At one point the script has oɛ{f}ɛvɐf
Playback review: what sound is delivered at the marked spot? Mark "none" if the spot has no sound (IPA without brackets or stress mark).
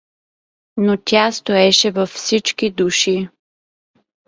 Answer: ʃ